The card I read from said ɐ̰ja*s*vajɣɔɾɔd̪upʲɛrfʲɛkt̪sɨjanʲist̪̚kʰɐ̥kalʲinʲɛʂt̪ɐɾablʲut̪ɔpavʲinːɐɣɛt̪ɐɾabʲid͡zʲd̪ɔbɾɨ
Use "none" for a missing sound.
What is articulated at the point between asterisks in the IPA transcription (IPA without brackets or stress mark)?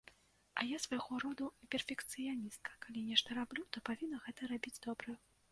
s